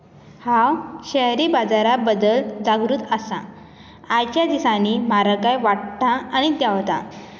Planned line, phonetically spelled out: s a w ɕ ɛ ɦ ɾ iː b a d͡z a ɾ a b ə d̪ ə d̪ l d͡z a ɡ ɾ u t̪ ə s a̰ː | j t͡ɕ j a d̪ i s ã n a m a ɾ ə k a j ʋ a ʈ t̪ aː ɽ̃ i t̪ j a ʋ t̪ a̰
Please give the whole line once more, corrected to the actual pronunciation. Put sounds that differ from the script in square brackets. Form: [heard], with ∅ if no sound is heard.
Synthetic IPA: [h] a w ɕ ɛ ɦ ɾ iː b a d͡z a ɾ a b ə d̪ ə [∅] l d͡z a ɡ ɾ u t̪ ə s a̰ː | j t͡ɕ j a d̪ i s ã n [i] m a ɾ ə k a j ʋ a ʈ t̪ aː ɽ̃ i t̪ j a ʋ t̪ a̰